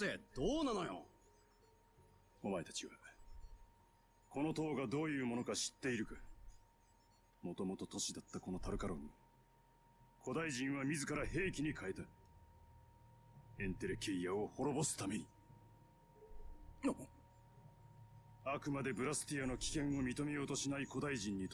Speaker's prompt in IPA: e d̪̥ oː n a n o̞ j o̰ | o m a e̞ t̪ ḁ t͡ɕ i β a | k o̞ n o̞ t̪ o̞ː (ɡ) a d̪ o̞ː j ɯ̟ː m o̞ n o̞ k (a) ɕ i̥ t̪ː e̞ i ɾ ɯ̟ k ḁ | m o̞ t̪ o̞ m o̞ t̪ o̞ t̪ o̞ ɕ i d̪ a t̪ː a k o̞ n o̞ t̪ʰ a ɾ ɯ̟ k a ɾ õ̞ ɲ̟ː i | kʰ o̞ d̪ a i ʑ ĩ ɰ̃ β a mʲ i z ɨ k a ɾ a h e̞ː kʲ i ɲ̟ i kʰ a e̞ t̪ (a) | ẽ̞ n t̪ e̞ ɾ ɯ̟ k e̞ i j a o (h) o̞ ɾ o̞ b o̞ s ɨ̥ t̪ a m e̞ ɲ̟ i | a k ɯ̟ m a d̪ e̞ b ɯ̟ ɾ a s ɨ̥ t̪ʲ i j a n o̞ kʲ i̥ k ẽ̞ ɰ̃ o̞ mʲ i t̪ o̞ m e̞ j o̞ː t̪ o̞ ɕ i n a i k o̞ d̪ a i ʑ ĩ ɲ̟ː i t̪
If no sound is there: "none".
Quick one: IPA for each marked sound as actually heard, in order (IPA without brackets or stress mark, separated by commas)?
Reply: ɡ, a, a, h